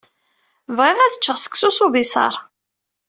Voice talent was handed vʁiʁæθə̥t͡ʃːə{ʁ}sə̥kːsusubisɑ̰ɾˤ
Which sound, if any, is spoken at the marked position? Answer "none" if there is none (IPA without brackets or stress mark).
ʁ